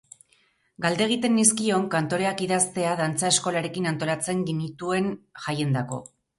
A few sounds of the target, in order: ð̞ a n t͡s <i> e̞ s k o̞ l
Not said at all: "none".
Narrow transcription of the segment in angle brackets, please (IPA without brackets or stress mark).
a